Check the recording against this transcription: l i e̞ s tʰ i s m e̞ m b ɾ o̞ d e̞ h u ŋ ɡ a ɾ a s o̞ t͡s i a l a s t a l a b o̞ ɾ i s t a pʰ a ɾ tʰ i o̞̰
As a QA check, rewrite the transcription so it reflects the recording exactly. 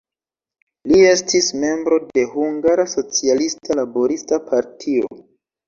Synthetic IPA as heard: l i e̞ s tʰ i s m e̞ m b ɾ o̞ d e̞ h u ŋ ɡ a ɾ a s o̞ t͡s i a l i s t a l a b o̞ ɾ i s t a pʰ a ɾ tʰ i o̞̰